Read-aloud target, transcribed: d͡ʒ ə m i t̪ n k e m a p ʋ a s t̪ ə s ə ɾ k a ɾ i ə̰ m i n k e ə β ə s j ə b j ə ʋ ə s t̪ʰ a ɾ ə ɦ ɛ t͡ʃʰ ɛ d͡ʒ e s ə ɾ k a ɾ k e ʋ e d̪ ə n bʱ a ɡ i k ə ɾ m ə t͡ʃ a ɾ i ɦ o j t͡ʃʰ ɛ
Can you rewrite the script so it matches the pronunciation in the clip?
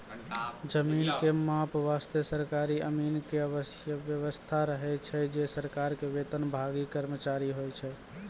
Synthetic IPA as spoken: d͡ʒ ə m i n k e m a p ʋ a s t̪ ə s ə ɾ k a ɾ i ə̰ m i n k e ə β ə s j ə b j ə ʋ ə s t̪ʰ a ɾ ə ɦ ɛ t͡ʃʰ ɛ d͡ʒ e s ə ɾ k a ɾ k e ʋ e t̪ ə n bʱ a ɡ i k ə ɾ m ə t͡ʃ a ɾ i ɦ o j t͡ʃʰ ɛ